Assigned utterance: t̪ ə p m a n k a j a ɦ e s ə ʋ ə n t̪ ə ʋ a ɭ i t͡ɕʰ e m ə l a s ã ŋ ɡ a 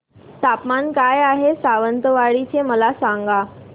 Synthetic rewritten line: t̪ a p m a n k a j a ɦ e s a ʋ ə n t̪ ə ʋ a ɭ i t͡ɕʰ e m ə l a s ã ŋ ɡ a